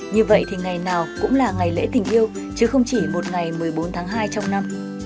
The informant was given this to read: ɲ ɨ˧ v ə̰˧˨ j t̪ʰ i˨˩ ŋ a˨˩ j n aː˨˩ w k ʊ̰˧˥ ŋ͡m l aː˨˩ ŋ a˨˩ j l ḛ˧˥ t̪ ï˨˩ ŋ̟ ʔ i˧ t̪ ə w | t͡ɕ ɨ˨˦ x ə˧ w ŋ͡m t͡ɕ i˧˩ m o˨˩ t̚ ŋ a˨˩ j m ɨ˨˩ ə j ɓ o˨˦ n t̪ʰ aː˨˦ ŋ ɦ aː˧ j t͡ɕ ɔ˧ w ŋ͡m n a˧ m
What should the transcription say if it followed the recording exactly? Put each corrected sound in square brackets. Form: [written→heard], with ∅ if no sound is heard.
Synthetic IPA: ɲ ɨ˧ v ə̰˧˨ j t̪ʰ i˨˩ ŋ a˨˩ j n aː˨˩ w k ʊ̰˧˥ ŋ͡m l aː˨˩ ŋ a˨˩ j l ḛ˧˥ t̪ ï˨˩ ŋ̟ ʔ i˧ [t̪→∅] ə w | t͡ɕ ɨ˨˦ x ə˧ w ŋ͡m t͡ɕ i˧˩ m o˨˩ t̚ ŋ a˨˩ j m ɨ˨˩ ə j ɓ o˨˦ n t̪ʰ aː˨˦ ŋ ɦ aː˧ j t͡ɕ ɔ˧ w ŋ͡m n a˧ m

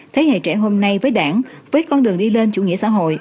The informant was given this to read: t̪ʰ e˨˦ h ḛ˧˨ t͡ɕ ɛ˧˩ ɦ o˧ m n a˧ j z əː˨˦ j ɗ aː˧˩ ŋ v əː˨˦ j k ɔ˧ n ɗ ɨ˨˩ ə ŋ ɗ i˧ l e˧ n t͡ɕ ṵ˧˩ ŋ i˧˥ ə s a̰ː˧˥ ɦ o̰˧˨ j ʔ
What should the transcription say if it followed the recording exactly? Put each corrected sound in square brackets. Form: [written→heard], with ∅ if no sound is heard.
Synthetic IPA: t̪ʰ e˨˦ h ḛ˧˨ t͡ɕ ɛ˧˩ ɦ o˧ m n a˧ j [z→v] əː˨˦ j ɗ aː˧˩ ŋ v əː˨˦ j k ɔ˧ n ɗ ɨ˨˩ ə ŋ ɗ i˧ l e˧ n t͡ɕ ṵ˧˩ ŋ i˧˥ ə s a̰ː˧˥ ɦ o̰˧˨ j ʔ

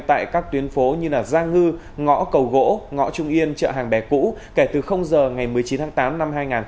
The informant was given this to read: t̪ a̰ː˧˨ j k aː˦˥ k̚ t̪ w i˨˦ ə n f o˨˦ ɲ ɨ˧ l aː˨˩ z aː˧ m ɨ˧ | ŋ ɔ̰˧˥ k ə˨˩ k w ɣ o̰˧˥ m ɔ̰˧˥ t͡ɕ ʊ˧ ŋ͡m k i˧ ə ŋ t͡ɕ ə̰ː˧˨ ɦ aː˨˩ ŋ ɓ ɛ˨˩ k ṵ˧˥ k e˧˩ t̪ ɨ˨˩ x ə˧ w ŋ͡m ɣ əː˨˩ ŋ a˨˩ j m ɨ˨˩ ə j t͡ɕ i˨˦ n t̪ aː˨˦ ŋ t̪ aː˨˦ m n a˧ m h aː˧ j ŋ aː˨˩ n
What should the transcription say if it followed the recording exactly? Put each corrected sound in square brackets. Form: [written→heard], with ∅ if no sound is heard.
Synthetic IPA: t̪ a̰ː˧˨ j k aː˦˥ k̚ t̪ w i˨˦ ə n f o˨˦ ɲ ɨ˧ l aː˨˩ z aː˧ [m→ŋ] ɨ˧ | ŋ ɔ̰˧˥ k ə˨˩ [k→∅] w ɣ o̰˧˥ [m→ŋ] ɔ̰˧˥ t͡ɕ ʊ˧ ŋ͡m [k→ʔ] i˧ ə [ŋ→n] t͡ɕ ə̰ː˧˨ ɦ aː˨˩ ŋ ɓ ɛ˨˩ k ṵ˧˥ k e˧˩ t̪ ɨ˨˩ x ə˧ w ŋ͡m [ɣ→z] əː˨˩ ŋ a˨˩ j m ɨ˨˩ ə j t͡ɕ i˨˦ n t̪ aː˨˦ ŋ t̪ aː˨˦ m n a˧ m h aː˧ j ŋ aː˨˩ n

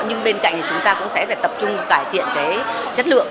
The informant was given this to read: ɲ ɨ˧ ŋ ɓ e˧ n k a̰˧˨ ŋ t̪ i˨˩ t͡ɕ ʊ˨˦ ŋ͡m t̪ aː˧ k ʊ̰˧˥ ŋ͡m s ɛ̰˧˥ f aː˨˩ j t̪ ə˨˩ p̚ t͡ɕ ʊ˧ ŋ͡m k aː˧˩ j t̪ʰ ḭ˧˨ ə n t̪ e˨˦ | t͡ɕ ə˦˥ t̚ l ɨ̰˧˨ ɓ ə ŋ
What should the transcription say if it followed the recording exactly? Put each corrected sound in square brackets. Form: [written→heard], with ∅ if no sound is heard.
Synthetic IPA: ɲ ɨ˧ ŋ ɓ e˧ n k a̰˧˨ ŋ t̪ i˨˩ t͡ɕ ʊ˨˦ ŋ͡m t̪ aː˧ k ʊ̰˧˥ ŋ͡m s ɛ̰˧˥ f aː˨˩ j t̪ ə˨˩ p̚ t͡ɕ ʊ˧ ŋ͡m k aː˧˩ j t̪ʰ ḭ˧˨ ə n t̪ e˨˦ | t͡ɕ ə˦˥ t̚ l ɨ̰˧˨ [ɓ→∅] ə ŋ

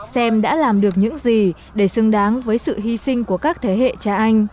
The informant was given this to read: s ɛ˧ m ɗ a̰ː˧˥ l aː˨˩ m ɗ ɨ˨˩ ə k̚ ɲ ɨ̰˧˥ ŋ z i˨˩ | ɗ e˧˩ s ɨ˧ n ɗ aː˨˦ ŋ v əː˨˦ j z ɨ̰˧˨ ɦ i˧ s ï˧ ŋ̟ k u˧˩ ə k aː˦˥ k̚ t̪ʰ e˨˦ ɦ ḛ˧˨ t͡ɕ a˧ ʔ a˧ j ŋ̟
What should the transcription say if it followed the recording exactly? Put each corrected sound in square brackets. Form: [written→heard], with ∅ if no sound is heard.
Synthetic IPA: s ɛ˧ m ɗ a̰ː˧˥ l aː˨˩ m ɗ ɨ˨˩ ə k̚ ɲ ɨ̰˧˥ ŋ z i˨˩ | ɗ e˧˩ s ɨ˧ [n→ŋ] ɗ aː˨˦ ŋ v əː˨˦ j [z→s] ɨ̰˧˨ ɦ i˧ s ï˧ ŋ̟ k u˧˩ ə k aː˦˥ k̚ t̪ʰ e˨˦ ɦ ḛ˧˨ t͡ɕ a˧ ʔ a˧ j ŋ̟

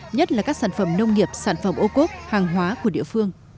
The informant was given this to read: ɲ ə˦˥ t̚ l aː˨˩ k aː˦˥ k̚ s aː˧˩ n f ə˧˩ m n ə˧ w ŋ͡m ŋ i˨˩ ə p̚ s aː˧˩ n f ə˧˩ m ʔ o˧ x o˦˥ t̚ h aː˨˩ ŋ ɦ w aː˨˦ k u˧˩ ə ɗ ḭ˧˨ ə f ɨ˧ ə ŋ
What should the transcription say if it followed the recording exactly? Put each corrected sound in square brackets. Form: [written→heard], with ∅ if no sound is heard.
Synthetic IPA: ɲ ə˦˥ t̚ l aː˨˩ k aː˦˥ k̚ s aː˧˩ n f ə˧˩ m n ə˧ w ŋ͡m ŋ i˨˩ ə p̚ s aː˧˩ n f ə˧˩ m ʔ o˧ [x→k] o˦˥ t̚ h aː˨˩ ŋ ɦ w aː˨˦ k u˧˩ ə ɗ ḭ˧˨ ə f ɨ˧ ə ŋ

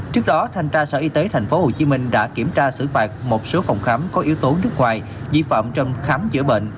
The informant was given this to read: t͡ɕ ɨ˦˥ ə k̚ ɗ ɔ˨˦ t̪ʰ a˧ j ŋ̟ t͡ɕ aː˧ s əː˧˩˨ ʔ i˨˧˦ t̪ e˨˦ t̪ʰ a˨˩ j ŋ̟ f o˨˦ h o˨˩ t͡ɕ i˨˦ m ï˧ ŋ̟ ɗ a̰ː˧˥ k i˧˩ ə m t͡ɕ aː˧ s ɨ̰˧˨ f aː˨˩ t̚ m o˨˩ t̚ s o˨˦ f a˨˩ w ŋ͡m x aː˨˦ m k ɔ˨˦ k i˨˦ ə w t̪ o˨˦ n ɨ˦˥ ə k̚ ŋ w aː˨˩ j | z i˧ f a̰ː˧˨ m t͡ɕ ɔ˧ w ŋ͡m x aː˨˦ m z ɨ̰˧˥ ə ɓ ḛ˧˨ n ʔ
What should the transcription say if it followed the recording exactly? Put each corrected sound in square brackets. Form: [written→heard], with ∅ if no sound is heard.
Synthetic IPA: t͡ɕ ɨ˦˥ ə k̚ ɗ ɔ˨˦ t̪ʰ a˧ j ŋ̟ t͡ɕ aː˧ s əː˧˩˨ ʔ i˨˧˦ t̪ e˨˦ t̪ʰ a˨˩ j ŋ̟ f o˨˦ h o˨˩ t͡ɕ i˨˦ m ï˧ ŋ̟ ɗ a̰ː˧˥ k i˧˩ ə m t͡ɕ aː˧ s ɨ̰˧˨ f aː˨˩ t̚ m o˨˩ t̚ s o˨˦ f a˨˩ w ŋ͡m x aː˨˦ m k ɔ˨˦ [k→ʔ] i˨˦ ə w t̪ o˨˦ n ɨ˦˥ ə k̚ ŋ w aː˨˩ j | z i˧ f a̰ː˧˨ m t͡ɕ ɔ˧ w ŋ͡m x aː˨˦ m z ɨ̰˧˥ ə ɓ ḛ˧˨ n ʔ

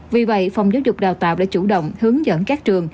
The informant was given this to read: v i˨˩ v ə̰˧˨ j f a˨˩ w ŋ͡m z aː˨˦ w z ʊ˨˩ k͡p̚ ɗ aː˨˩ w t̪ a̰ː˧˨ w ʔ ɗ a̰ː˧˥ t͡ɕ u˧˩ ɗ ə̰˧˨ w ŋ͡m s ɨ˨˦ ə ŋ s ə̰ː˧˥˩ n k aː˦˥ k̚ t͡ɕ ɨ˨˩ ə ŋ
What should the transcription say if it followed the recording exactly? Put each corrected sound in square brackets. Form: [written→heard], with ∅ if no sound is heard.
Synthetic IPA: v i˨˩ v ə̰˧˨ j f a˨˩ w ŋ͡m z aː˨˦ w z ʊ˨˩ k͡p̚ ɗ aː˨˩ w t̪ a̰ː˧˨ w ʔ ɗ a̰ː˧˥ t͡ɕ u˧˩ ɗ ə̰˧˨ w ŋ͡m [s→h] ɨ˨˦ ə ŋ [s→z] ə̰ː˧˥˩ n k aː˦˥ k̚ t͡ɕ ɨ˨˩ ə ŋ

